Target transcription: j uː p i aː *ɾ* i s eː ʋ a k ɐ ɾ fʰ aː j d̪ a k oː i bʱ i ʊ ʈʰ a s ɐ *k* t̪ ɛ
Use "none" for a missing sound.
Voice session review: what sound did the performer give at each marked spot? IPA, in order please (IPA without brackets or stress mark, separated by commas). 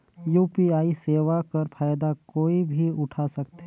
none, k